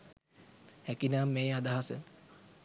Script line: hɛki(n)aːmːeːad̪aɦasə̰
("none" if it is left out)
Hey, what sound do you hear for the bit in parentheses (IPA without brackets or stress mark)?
n